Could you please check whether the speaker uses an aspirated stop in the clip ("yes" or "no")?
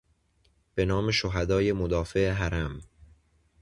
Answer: no